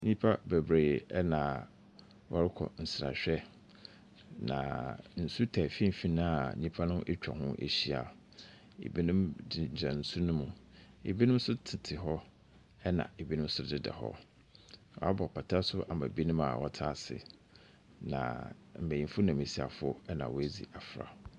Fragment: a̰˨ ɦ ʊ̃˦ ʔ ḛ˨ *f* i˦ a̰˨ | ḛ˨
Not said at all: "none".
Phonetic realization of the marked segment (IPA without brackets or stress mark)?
ɕ